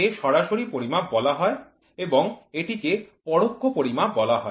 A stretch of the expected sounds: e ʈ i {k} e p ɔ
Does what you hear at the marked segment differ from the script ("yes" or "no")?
no